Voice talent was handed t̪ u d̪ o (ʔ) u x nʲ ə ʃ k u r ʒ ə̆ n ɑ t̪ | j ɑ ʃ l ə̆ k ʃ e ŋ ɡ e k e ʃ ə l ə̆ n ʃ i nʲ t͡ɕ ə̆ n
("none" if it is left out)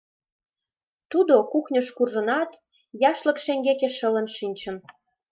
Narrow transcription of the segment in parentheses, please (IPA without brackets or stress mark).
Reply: k